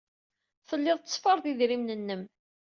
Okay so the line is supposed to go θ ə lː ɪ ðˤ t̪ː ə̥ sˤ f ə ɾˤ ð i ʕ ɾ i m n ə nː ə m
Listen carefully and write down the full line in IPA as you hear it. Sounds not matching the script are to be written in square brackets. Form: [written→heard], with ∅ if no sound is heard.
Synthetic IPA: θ ə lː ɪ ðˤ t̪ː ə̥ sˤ f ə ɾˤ ð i [ʕ→ð] ɾ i m n ə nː ə m